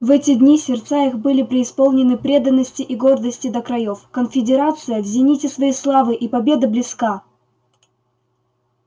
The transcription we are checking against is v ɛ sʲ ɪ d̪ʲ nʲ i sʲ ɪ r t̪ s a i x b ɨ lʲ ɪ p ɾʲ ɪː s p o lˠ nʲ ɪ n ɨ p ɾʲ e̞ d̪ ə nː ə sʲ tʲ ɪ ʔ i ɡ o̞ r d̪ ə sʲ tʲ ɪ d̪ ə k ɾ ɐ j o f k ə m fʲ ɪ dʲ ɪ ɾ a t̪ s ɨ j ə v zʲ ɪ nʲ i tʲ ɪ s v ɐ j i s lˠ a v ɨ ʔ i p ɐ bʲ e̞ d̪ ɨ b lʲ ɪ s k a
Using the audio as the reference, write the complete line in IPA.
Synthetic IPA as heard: v ɛ tʲ ɪ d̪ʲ nʲ i sʲ ɪ r t̪ s a i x b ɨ lʲ ɪ p ɾʲ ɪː s p o lˠ nʲ ɪ n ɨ p ɾʲ e̞ d̪ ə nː ə sʲ tʲ ɪ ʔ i ɡ o̞ r d̪ ə sʲ tʲ ɪ d̪ ə k ɾ ɐ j o f k ə n fʲ ɪ dʲ ɪ ɾ a t̪ s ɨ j ə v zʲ ɪ nʲ i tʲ ɪ s v ɐ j i s lˠ a v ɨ ʔ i p ɐ bʲ e̞ d̪ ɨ b lʲ ɪ s k a

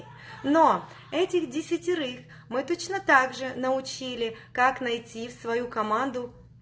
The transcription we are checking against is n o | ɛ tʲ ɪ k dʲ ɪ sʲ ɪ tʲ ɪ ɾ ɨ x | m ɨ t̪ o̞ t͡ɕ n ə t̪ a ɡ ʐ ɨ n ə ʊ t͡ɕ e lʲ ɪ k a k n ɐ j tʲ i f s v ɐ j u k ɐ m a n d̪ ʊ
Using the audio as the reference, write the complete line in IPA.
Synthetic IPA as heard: n o | ɛ tʲ ɪ x dʲ ɪ sʲ ɪ tʲ ɪ ɾ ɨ x | m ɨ t̪ o̞ t͡ɕ n ə t̪ a ɡ ʐ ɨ n ə ʊ t͡ɕ i lʲ ɪ k a k n ɐ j tʲ i f s v ɐ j u k ɐ m a n d̪ ʊ

